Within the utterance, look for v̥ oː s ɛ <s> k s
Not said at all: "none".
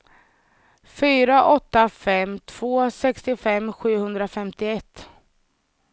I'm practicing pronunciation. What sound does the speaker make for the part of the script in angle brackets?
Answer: none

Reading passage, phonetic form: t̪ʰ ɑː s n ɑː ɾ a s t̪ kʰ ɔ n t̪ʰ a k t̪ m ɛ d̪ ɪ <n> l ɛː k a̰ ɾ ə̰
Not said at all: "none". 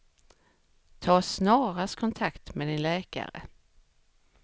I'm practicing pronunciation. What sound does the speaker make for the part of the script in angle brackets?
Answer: n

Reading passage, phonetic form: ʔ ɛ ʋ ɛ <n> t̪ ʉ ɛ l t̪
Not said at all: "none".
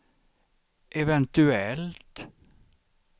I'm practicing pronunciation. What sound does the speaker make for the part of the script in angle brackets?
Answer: n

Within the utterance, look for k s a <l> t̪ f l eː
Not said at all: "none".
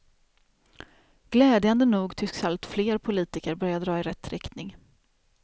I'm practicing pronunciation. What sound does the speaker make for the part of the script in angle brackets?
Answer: l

